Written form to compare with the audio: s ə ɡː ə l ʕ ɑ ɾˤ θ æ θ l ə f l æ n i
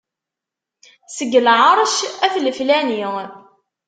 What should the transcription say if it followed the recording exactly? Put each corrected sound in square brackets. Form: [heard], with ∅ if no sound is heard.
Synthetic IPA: s ə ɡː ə l ʕ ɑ ɾˤ [ʃ] æ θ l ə f l æ n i